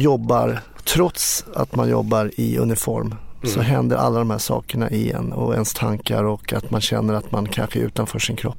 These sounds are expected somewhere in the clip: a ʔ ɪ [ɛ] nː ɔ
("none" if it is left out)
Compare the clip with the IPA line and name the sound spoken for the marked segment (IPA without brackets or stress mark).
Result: ɛ